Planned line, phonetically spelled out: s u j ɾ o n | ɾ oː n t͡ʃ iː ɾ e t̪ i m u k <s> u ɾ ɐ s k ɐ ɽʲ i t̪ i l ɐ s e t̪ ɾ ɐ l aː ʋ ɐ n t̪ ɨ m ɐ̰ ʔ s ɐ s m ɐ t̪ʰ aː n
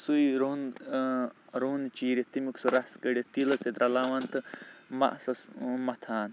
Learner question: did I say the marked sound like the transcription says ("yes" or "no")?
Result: yes